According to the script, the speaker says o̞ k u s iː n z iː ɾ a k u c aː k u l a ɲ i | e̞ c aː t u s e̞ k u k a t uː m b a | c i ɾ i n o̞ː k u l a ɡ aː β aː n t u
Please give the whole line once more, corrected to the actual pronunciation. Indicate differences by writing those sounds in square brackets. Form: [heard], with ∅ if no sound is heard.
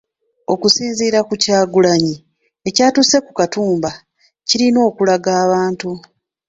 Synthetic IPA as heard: o̞ k u s iː n z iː ɾ a k u c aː [ɡ] u l a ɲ i | e̞ c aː t u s e̞ k u k a t uː m b a | c i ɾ i n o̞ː k u l a ɡ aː β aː n t u